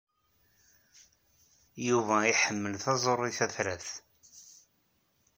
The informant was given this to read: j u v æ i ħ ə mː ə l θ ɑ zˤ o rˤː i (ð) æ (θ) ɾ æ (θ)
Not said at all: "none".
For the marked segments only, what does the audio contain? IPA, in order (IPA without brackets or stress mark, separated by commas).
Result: θ, θ, θ